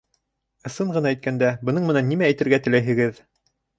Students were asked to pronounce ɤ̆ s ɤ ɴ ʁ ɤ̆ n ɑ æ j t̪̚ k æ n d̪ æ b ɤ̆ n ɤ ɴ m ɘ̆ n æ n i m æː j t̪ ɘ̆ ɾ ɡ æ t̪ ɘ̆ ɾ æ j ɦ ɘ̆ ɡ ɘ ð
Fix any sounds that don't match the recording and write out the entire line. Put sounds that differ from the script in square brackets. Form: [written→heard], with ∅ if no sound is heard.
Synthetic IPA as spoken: ɤ̆ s ɤ ɴ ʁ ɤ̆ n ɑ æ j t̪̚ k æ n d̪ æ b ɤ̆ n ɤ ɴ m ɘ̆ n æ [n→nː] i m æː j t̪ ɘ̆ ɾ ɡ æ t̪ ɘ̆ [ɾ→l] æ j ɦ ɘ̆ ɡ ɘ ð